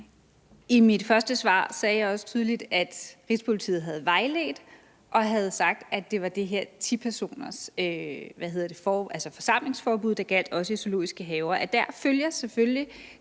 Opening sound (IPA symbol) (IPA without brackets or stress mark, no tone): i